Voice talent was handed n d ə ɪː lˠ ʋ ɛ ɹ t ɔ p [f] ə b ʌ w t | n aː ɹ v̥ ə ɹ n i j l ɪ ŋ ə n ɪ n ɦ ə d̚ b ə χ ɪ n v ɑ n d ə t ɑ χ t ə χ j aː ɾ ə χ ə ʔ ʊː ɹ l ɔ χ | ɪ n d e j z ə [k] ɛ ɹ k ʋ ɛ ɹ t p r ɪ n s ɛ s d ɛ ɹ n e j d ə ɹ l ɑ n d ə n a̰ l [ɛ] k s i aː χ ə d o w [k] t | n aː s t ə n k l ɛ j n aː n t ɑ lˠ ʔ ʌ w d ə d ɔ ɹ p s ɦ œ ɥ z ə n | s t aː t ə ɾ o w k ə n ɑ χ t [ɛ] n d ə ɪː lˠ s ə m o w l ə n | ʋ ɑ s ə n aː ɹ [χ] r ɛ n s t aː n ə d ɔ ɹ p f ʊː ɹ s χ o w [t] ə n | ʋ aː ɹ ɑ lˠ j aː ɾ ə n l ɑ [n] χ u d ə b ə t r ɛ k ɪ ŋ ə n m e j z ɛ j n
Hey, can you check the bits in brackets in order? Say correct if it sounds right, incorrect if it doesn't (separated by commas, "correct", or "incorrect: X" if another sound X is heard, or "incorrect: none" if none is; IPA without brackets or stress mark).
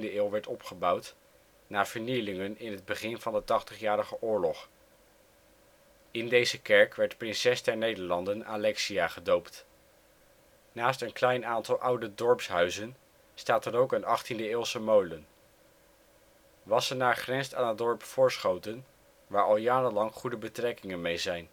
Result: incorrect: χ, correct, correct, incorrect: p, incorrect: i, correct, correct, incorrect: ŋ